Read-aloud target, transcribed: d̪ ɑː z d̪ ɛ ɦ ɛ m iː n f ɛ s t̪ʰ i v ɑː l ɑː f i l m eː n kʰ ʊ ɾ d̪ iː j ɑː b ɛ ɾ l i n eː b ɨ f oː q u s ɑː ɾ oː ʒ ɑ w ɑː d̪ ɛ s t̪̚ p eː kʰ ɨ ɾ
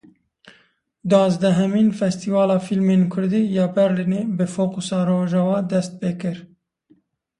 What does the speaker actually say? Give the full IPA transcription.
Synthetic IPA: d̪ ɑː z d̪ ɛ ɦ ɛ m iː n f ɛ s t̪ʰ i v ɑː l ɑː f i l m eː n kʰ ʊ ɾ d̪ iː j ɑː b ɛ ɾ l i n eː b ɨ f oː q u s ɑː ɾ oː ʒ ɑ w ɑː d̪ ɛ s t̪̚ p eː k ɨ ɾ